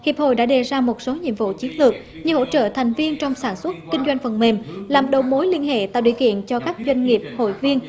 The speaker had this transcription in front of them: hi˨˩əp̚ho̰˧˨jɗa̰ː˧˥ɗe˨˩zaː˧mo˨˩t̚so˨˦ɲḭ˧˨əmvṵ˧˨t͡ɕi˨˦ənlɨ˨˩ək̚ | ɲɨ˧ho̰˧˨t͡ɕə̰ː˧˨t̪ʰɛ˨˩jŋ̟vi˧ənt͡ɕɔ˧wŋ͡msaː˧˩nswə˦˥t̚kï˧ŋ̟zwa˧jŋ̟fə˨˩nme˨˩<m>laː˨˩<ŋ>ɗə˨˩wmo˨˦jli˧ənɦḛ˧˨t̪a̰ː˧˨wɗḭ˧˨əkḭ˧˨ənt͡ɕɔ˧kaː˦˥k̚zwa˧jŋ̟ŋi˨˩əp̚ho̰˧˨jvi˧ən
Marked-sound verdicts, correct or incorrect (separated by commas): correct, incorrect